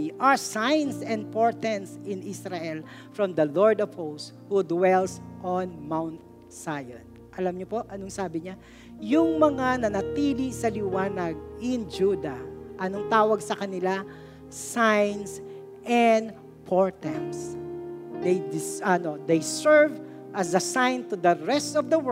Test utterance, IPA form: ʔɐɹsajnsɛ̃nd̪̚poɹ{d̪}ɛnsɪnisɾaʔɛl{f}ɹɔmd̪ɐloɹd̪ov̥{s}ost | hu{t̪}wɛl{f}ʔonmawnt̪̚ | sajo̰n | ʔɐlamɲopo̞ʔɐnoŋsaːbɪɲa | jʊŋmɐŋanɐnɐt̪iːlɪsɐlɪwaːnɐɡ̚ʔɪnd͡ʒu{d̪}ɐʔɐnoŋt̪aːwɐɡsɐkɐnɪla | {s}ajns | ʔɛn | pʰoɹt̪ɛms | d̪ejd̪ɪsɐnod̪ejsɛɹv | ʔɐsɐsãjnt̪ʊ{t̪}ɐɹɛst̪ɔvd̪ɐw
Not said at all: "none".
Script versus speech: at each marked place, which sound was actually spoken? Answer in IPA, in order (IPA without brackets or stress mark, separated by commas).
t̪, f, h, d̪, s, d̪, s, d̪